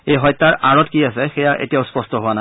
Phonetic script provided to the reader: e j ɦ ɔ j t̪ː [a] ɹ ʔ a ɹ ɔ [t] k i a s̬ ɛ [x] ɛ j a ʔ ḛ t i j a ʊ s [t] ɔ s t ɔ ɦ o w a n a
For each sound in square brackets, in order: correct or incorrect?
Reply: correct, correct, correct, incorrect

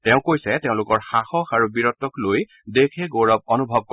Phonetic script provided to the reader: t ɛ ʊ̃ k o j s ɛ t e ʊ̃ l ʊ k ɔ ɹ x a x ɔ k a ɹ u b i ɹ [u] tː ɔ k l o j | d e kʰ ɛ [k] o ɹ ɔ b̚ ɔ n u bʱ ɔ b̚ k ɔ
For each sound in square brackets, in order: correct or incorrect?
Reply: incorrect, incorrect

